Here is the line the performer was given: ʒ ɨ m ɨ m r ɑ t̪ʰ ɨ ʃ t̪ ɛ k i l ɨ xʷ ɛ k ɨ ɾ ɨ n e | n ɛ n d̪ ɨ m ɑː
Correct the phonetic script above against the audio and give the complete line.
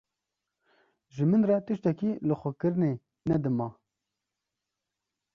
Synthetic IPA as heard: ʒ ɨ m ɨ n r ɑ t̪ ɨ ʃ t̪ ɛ k i l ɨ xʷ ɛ k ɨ ɾ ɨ n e | n ɛ d̪ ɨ m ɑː